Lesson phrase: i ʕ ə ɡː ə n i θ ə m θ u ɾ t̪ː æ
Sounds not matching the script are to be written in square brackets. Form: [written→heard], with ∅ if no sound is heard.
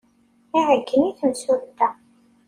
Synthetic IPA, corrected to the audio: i ʕ ə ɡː ə n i θ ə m [θ→s] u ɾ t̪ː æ